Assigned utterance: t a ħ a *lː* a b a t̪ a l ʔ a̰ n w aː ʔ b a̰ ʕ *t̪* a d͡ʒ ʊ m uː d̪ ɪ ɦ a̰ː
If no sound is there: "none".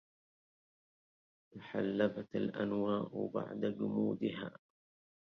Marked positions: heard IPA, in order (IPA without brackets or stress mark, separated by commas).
lː, d̪